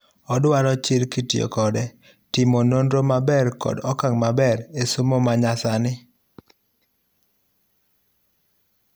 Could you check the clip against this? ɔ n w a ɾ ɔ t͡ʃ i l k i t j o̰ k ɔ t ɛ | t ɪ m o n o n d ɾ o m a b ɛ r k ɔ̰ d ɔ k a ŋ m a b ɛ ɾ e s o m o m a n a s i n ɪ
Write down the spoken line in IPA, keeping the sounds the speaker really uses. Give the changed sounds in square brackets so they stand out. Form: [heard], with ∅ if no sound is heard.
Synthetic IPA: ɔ [d] w a ɾ ɔ t͡ʃ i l k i t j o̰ k ɔ [d] ɛ | t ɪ m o n o n d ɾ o m a b ɛ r k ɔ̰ d ɔ k a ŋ m a b ɛ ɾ e s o m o m a [ɲ] a s [a] n ɪ